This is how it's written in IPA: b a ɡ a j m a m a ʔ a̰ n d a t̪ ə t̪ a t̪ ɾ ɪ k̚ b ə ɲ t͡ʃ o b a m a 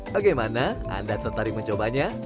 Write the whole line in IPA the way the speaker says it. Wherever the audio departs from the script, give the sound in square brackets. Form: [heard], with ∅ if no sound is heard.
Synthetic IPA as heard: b a ɡ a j m a [n] a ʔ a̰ n d a t̪ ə t̪ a [∅] ɾ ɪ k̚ [m] ə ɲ t͡ʃ o b a [ɲ] a